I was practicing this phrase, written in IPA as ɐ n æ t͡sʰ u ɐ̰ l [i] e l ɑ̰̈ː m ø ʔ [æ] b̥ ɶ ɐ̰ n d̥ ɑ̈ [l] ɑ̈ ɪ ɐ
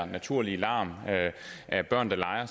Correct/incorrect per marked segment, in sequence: correct, correct, correct

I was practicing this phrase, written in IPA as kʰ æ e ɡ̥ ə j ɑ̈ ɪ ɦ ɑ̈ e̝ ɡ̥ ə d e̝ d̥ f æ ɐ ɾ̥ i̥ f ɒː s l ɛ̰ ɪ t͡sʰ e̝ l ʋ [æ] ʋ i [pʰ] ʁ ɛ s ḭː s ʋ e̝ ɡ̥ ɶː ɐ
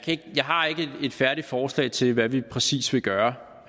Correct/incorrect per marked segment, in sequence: correct, correct

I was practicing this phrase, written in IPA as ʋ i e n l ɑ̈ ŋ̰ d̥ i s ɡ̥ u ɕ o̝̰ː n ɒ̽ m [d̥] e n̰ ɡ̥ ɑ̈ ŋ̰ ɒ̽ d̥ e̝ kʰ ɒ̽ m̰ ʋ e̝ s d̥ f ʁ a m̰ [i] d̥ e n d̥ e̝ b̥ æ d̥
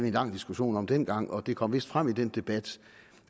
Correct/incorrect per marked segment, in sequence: correct, correct

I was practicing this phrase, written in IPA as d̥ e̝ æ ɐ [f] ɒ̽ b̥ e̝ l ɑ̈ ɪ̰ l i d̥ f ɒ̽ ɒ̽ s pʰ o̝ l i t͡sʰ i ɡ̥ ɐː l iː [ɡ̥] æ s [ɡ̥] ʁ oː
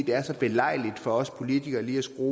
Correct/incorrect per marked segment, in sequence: incorrect: s, incorrect: none, correct

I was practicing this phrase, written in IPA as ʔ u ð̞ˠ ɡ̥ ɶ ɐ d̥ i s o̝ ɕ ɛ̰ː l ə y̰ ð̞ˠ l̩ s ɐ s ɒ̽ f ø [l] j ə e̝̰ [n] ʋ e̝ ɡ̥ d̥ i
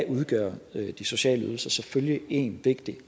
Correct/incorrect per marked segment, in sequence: correct, correct

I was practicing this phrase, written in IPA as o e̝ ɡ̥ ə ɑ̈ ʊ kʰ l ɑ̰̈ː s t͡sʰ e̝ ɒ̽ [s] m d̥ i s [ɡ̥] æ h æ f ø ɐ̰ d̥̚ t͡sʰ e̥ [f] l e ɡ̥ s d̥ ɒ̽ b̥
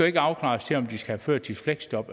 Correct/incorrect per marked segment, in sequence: incorrect: none, correct, correct

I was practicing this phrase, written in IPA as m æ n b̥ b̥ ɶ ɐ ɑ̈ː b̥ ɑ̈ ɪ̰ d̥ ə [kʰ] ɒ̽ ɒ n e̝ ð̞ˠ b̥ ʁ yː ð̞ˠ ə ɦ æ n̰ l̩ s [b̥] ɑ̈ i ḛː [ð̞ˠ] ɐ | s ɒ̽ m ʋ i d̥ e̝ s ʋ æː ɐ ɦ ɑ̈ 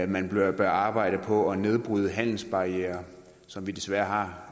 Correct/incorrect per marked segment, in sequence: incorrect: pʰ, correct, incorrect: none

